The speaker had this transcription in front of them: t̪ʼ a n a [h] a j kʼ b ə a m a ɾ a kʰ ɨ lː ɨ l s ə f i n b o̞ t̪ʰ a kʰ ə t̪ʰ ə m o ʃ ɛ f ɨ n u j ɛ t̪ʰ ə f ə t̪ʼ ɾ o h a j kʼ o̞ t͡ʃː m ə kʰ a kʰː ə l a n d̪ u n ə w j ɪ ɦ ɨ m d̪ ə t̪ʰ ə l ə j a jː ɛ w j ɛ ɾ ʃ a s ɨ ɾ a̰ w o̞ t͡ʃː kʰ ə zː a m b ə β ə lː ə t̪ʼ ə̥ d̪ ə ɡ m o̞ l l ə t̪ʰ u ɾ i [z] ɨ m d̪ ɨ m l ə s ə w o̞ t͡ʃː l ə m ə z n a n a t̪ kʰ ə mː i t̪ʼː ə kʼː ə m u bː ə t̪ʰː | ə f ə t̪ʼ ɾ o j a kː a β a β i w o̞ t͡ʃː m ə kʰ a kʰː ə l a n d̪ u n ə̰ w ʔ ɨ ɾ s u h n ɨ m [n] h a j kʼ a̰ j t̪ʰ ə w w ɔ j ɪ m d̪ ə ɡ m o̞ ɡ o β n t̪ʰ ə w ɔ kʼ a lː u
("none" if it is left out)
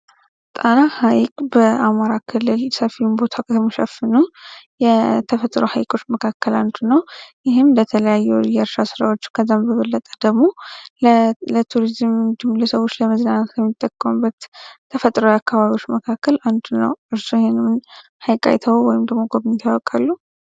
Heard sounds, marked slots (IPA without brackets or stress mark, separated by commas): h, z, n